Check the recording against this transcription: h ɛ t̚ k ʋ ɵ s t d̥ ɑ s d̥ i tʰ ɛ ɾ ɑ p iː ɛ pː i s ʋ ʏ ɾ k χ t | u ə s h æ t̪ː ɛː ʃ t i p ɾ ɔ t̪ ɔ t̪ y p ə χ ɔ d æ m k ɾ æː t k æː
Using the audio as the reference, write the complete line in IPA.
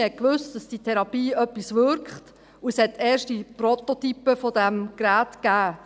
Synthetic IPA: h ɛ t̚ k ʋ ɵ s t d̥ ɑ s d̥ i tʰ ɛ ɾ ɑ p iː œ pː i s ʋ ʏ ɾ k χ t | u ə s h ɛ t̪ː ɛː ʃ t i p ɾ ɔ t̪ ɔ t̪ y p ə f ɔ d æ m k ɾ æː t k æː